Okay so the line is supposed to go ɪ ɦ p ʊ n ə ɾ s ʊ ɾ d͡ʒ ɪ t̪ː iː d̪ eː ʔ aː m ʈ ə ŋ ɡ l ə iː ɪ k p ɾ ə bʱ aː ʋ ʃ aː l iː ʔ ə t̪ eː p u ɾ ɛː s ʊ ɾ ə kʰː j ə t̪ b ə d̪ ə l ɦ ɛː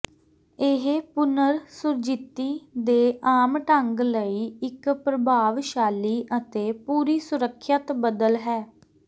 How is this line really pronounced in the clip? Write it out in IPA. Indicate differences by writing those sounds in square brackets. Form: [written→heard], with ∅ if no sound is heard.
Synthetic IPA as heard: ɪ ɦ p ʊ n ə ɾ s ʊ ɾ d͡ʒ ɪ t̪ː iː d̪ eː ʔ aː m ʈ ə ŋ ɡ l ə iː ɪ k p ɾ ə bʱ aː ʋ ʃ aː l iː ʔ ə t̪ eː p [u→uː] ɾ [ɛː→iː] s ʊ ɾ ə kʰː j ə t̪ b ə d̪ ə l ɦ ɛː